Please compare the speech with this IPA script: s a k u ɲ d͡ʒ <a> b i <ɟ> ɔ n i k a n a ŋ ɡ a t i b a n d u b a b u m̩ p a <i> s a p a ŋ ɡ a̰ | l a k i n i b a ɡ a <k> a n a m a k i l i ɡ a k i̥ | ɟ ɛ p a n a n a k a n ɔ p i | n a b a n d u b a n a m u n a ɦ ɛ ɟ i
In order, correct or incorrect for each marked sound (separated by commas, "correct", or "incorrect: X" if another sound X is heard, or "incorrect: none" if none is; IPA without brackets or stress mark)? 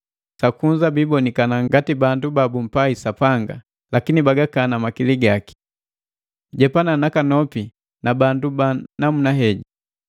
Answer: correct, incorrect: b, correct, correct